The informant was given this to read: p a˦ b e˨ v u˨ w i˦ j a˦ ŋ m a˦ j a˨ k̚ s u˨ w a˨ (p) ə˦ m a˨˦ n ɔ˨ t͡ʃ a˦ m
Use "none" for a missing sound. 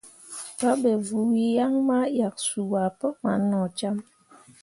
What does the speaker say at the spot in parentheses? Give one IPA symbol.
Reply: p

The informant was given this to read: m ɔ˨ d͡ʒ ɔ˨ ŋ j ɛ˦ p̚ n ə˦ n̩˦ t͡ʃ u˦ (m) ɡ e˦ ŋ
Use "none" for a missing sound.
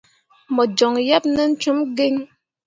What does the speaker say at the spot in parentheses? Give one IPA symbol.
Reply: m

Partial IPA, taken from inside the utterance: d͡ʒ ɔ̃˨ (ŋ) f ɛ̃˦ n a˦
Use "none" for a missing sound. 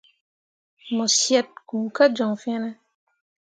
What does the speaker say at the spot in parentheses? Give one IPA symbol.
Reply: ŋ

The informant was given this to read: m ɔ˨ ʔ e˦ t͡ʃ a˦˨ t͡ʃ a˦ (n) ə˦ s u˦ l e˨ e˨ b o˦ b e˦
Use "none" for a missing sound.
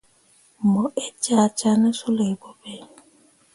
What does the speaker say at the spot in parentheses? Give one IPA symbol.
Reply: n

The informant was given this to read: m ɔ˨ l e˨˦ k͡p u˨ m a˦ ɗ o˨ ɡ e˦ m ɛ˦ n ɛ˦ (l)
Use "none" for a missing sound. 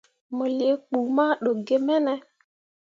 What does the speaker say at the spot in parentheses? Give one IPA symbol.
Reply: none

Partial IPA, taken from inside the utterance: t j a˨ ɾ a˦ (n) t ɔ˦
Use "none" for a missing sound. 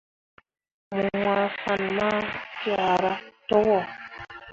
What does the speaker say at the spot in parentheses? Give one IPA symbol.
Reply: none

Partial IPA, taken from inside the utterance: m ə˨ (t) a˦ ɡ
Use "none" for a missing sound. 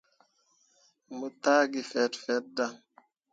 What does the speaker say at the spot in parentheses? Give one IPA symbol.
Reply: t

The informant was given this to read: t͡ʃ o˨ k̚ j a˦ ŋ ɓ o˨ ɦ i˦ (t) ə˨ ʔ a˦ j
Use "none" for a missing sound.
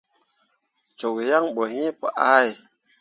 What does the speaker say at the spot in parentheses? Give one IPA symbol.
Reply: p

